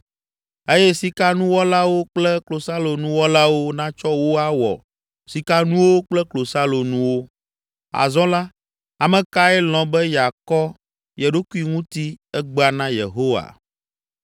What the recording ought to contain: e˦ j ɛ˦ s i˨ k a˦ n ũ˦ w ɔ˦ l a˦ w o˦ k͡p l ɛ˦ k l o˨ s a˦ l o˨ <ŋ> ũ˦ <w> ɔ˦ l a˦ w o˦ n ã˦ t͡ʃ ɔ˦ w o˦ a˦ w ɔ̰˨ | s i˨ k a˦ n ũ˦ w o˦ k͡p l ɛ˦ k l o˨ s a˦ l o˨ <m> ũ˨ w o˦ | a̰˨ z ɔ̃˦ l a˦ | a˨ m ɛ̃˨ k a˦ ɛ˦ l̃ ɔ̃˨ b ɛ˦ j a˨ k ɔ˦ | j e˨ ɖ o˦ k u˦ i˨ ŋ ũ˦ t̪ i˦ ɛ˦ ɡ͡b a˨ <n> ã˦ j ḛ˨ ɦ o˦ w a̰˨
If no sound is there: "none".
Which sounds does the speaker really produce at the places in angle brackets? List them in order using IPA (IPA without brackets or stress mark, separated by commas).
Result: n, w, n, n